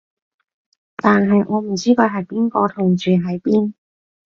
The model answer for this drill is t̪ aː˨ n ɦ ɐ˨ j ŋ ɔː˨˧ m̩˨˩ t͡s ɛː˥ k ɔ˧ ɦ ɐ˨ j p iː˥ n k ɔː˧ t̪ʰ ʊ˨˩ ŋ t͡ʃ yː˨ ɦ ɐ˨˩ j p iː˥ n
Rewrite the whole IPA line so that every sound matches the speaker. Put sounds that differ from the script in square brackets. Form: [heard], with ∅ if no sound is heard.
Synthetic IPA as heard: t̪ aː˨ n ɦ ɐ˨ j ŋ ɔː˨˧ m̩˨˩ t͡s [iː˥] k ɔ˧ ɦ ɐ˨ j p iː˥ n k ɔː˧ t̪ʰ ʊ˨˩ ŋ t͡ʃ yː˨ ɦ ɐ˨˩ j p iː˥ n